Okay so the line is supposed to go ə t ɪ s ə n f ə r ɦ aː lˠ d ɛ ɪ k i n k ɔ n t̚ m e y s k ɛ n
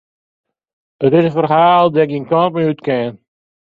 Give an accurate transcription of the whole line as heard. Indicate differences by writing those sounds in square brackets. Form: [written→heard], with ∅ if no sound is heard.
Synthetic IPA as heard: ə t ɪ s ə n f ə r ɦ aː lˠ d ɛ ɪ k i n k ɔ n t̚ m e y [s→t] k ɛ n